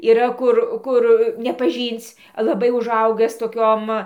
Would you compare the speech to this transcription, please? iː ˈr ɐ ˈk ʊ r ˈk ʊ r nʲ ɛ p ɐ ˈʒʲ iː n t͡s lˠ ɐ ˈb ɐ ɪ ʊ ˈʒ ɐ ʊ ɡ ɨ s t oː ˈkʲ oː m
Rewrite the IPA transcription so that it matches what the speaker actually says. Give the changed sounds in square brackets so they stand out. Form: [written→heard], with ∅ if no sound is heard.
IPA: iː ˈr ɐ ˈk ʊ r ˈk ʊ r nʲ ɛ p ɐ ˈʒʲ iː n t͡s lˠ ɐ ˈb ɐ ɪ ʊ ˈʒ ɐ ʊ ɡ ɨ s t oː ˈkʲ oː m